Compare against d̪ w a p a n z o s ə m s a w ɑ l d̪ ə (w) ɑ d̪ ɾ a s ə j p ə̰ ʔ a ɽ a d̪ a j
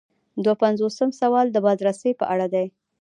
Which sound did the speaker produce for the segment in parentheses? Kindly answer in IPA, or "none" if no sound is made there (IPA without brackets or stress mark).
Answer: b